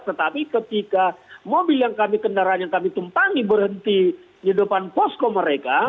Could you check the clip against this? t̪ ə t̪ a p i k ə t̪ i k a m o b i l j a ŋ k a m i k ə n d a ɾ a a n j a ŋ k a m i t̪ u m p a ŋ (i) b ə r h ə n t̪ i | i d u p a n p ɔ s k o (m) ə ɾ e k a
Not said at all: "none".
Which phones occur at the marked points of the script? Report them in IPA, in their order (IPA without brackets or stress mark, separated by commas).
i, m